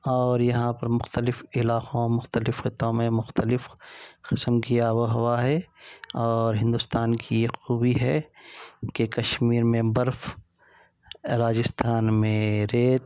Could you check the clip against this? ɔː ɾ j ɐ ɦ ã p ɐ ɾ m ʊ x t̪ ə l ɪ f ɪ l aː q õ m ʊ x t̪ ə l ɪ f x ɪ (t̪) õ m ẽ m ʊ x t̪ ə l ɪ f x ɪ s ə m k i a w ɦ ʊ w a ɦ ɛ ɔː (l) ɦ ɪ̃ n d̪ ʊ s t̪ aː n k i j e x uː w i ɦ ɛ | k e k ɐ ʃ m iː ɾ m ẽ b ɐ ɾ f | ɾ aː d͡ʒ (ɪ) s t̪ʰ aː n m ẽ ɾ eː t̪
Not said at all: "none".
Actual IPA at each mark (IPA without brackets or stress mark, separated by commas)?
t̪, ɾ, ɪ